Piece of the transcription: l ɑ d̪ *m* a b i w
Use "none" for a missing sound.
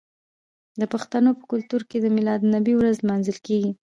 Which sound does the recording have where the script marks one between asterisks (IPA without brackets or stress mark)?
n